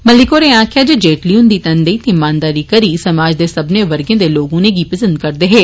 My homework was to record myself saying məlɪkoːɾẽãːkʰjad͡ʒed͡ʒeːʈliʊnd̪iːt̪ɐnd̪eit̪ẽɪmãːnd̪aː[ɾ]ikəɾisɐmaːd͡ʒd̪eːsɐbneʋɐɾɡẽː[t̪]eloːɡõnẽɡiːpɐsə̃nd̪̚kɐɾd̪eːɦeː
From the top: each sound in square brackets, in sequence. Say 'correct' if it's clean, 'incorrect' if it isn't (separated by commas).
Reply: correct, incorrect